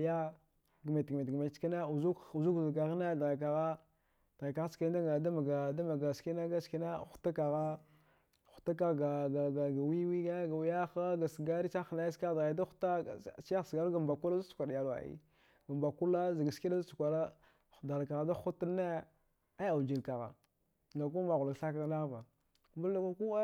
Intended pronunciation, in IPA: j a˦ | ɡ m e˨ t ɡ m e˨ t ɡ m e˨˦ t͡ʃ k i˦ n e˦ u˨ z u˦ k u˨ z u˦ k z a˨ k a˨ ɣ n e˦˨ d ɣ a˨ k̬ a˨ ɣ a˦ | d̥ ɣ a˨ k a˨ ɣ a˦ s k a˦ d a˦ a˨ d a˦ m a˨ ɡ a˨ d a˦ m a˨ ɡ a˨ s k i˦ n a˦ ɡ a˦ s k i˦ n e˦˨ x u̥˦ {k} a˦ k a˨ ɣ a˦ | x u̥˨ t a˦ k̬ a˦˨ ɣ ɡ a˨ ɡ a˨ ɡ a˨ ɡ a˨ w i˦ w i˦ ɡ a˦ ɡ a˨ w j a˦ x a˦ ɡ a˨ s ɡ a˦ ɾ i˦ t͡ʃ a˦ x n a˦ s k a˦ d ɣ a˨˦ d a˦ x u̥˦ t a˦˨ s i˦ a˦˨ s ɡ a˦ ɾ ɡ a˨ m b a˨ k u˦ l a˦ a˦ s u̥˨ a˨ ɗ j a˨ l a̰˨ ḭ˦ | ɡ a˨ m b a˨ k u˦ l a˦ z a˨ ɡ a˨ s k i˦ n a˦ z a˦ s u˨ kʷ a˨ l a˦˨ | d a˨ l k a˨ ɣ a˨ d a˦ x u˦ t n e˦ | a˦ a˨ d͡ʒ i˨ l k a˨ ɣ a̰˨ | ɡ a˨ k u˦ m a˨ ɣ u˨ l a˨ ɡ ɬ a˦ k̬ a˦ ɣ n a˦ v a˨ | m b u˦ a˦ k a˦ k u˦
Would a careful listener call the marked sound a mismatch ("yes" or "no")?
yes